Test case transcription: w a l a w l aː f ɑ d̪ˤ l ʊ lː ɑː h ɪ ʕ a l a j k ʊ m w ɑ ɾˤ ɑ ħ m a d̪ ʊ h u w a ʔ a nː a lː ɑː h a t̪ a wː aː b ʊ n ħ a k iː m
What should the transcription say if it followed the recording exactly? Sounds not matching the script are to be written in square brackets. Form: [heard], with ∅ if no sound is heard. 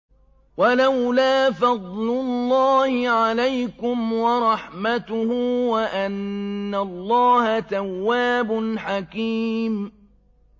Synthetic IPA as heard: w a l a w l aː f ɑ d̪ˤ l ʊ lː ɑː h ɪ ʕ a l a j k ʊ m w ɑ ɾˤ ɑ ħ m a [t̪] ʊ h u w a ʔ a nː a lː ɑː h a t̪ a wː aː b ʊ n ħ a k iː m